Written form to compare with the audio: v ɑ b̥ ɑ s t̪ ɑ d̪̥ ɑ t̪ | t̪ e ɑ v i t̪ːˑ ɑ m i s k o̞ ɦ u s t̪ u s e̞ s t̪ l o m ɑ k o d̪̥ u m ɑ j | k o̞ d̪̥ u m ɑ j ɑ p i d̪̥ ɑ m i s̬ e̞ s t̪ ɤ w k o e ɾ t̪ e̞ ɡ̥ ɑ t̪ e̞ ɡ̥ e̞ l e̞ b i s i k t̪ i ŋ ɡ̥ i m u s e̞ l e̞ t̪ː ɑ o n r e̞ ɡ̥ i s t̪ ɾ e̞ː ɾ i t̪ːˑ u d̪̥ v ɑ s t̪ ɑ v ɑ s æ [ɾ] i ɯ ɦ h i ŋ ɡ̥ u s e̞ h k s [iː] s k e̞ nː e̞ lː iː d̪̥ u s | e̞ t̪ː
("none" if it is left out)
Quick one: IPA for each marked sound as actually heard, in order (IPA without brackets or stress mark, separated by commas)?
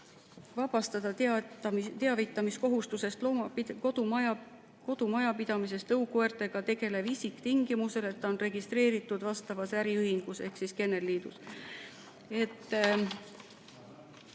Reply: ɾ, i